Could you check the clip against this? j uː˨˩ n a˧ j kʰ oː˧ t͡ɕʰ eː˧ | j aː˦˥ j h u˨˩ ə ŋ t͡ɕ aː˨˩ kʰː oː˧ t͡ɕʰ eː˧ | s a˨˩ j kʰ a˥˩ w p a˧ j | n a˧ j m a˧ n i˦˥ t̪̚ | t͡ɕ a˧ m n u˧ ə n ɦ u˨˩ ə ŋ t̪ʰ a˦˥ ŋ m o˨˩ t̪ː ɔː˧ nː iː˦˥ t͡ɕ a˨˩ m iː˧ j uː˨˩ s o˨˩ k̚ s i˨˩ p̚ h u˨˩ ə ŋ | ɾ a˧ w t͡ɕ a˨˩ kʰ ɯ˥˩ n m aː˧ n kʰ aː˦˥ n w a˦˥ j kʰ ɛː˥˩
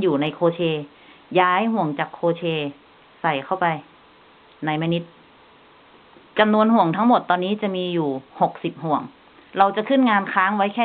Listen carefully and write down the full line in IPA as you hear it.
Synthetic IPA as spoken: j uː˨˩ n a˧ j kʰ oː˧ t͡ɕʰ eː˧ | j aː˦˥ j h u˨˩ ə ŋ t͡ɕ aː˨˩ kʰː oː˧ t͡ɕʰ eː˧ | s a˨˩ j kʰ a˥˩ w p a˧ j | n a˧ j m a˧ n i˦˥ t̪̚ | t͡ɕ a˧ m n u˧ ə n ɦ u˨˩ ə ŋ t̪ʰ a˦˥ ŋ m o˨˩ t̪ː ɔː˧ nː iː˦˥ t͡ɕ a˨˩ m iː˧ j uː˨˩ h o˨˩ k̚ s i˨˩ p̚ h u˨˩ ə ŋ | ɾ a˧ w t͡ɕ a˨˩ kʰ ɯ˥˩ n ŋ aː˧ n kʰ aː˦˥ ŋ w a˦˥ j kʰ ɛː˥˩